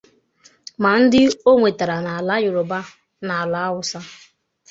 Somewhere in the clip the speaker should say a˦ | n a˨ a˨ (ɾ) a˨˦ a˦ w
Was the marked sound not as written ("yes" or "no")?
yes